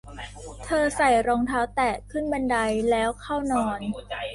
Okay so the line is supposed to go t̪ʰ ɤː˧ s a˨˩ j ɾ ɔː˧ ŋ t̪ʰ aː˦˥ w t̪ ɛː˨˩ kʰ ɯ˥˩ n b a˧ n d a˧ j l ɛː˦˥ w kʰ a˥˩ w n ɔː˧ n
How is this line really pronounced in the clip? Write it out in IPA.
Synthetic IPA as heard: t̪ʰ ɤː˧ s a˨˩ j ɾ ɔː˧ ŋ t̪ʰ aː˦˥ w t̪ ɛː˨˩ kʰ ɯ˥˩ n b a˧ n d a˧ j l ɛː˦˥ w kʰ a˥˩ w n ɔː˧ n